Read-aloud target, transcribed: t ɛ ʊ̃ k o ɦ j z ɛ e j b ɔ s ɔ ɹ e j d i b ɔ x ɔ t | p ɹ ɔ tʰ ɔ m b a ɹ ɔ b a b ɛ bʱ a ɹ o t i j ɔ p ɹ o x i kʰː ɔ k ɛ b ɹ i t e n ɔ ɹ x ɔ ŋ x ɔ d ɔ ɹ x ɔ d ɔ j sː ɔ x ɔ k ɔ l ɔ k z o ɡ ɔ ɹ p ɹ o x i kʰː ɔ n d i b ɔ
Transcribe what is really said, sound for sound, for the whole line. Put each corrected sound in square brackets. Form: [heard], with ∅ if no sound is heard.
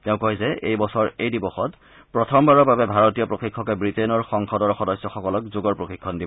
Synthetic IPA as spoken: t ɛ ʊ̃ k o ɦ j z ɛ e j b ɔ s ɔ ɹ e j d i b ɔ x ɔ t | p ɹ ɔ tʰ ɔ m b a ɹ ɔ b a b ɛ bʱ a ɹ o t i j ɔ p ɹ o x i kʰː ɔ k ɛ b ɹ i t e n ɔ ɹ x ɔ ŋ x ɔ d ɔ ɹ x ɔ d ɔ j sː ɔ x ɔ k ɔ l ɔ k z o ɡ ɔ ɹ p ɹ o x i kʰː ɔ n d i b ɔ